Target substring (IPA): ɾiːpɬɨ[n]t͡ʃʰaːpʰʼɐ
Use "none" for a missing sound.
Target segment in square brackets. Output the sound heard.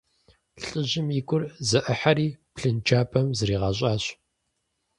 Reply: n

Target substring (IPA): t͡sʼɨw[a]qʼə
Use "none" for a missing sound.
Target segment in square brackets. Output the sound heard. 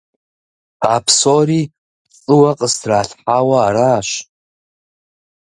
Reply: a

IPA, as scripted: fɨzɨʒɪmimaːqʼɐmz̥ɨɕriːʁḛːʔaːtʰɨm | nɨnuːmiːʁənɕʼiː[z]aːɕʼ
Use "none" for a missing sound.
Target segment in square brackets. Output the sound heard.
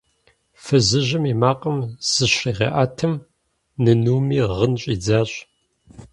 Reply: d͡z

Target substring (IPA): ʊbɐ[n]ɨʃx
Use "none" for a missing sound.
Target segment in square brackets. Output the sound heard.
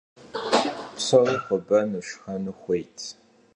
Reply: n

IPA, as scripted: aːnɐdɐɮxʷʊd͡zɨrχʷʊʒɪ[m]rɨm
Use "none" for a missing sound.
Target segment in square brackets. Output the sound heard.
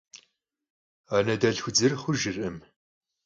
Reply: none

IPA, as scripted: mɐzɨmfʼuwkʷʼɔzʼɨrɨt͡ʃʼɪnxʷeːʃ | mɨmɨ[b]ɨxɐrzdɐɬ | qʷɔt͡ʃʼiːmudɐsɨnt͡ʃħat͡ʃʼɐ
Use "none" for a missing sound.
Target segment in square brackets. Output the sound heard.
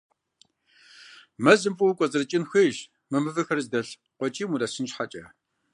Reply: v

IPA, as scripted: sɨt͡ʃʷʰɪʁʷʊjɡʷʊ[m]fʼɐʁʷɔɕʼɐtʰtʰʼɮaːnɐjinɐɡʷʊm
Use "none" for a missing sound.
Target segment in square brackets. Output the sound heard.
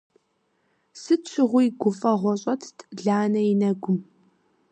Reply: none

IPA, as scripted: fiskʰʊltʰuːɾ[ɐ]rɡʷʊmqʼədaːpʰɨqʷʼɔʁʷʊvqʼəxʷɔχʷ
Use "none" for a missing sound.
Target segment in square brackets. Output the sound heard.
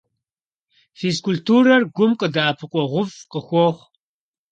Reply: ɐ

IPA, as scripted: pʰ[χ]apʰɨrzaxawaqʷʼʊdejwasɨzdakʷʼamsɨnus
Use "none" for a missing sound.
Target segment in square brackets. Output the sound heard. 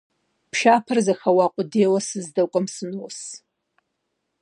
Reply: ʃ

